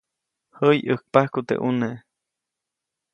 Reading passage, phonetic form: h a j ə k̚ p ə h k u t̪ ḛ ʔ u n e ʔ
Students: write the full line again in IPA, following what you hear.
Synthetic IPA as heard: h ə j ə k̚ p a h k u t̪ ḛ ʔ u n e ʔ